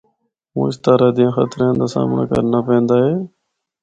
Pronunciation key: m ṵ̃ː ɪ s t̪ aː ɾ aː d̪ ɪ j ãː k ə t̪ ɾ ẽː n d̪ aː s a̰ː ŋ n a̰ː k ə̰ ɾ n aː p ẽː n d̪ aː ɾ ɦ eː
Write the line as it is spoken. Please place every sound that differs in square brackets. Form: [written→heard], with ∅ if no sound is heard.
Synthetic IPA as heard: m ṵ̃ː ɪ s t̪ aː ɾ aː d̪ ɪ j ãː [k→x] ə t̪ ɾ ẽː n d̪ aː s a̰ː [ŋ→m] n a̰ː k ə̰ ɾ n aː p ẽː n d̪ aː [ɾ→∅] ɦ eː